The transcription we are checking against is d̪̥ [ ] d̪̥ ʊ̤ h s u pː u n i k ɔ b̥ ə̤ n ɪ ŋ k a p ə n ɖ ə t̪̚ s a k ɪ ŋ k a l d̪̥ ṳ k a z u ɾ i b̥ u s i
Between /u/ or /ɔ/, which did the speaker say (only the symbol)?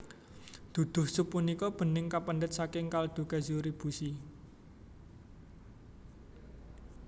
u